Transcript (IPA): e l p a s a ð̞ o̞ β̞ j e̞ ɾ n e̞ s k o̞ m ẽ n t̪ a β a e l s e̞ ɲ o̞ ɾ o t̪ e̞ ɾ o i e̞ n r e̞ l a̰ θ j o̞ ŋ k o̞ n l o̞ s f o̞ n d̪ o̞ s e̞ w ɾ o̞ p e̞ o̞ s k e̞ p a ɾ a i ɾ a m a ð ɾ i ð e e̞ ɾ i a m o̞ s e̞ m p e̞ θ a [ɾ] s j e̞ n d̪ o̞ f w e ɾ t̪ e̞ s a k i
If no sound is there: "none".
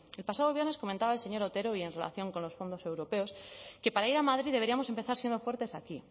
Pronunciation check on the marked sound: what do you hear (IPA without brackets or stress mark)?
ɾ